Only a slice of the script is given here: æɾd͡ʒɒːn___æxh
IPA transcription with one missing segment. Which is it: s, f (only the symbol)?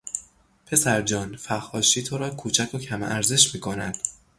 f